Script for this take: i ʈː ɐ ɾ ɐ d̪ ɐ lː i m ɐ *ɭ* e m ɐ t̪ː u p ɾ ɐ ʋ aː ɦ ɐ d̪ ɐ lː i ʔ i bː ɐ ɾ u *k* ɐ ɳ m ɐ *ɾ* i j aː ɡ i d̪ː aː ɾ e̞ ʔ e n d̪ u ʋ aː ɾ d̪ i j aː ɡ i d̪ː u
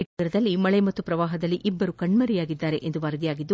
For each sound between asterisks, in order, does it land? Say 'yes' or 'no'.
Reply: yes, yes, yes

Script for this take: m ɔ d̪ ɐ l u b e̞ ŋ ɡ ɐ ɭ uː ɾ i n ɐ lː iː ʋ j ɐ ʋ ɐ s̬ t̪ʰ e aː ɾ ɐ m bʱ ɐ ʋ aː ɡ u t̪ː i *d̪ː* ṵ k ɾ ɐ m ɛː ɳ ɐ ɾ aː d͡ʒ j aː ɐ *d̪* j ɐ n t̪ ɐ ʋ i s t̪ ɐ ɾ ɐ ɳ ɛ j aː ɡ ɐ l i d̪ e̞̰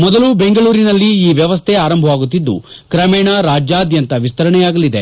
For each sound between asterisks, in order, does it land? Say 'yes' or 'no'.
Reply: yes, yes

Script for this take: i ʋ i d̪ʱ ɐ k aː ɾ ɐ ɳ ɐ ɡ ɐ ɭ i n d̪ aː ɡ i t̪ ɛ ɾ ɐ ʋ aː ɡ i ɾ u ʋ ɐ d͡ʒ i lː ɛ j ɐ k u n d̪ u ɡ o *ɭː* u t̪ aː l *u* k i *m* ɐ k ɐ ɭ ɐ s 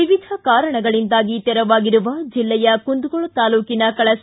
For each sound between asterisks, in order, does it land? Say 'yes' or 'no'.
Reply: no, no, no

